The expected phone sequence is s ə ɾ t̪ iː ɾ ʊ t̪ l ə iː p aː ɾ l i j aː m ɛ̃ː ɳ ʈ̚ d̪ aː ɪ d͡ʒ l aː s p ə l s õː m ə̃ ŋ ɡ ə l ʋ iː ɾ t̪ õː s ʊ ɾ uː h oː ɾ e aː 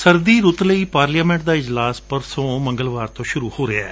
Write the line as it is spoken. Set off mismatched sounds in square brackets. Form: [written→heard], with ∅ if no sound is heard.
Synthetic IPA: s ə ɾ [t̪→d̪] iː ɾ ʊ t̪ l ə iː p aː ɾ l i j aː m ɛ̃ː ɳ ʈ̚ d̪ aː ɪ d͡ʒ l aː s p ə [l→ɾ] s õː m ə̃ ŋ ɡ ə l ʋ [iː→aː] ɾ t̪ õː [s→ʃ] ʊ ɾ uː h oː ɾ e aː